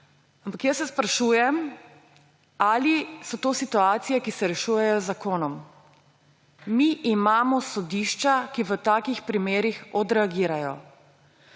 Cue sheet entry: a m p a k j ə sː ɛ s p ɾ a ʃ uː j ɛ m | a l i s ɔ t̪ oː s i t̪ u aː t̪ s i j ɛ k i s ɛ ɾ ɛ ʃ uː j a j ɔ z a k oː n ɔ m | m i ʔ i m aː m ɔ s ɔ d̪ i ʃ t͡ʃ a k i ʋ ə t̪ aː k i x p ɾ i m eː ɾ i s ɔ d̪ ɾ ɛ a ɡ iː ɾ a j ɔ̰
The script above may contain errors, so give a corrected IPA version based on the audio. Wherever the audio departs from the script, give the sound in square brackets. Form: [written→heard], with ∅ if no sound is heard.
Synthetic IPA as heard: a m p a k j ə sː ɛ s p ɾ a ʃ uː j ɛ m | a l i s ɔ t̪ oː s i t̪ u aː t̪ s i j ɛ k i s ɛ ɾ ɛ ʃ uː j [a→ɛ] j ɔ z a k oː n ɔ m | m i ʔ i m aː m ɔ s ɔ d̪ i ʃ t͡ʃ a k i ʋ ə t̪ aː k i x p ɾ i m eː ɾ i [s→x] ɔ d̪ ɾ ɛ a ɡ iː ɾ a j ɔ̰